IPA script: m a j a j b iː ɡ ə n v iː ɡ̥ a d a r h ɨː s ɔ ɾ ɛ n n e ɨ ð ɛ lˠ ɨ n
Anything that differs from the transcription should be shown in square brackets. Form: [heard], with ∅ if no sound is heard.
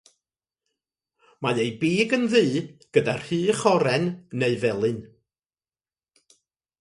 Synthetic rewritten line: m a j [e] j b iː ɡ ə n [ð] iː ɡ̥ [ə] d a r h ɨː [χ] ɔ ɾ ɛ n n e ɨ [v] ɛ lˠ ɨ n